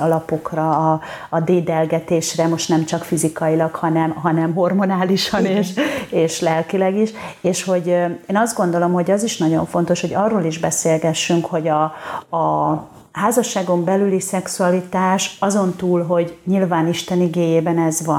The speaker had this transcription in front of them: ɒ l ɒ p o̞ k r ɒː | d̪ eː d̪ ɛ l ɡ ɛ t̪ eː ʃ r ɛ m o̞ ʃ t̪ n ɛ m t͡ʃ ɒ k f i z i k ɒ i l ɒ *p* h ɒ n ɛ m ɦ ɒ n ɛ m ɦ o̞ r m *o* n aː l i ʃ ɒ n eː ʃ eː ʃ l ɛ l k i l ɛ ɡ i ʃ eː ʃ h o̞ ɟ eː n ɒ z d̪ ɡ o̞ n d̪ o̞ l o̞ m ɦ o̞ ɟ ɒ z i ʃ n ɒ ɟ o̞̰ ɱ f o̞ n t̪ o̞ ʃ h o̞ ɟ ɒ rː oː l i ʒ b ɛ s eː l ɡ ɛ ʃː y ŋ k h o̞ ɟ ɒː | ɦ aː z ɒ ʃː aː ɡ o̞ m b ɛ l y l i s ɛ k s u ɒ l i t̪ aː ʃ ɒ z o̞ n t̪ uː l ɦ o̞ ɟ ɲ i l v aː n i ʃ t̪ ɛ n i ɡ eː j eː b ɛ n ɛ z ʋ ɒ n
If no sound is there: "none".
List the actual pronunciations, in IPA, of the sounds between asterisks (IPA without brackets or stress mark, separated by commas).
k, o